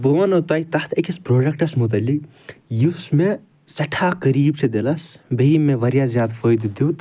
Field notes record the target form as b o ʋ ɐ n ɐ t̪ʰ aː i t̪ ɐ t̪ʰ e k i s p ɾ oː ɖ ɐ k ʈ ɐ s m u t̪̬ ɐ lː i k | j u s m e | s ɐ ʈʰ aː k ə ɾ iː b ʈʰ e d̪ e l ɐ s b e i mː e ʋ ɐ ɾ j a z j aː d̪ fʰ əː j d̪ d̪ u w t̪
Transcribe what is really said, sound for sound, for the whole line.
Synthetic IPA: b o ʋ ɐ n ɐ t̪ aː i t̪ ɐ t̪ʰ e k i s p ɾ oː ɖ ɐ k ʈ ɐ s m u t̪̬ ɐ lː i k | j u s m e | s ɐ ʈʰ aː k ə ɾ iː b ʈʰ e d̪ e l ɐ s b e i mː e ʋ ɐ ɾ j a z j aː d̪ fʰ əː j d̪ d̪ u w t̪